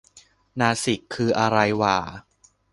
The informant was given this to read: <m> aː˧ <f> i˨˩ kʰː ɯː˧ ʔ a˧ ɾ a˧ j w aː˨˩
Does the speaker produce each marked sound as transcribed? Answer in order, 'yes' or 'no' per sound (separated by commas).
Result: no, no